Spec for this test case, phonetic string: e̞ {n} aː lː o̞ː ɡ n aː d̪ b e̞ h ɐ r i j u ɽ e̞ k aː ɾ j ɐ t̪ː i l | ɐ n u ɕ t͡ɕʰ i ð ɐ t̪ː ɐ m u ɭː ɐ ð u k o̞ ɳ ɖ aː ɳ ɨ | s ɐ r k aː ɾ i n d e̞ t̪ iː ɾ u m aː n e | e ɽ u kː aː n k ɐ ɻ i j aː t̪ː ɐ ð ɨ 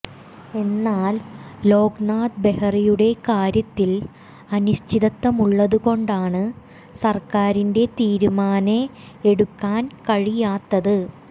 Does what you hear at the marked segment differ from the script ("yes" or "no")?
yes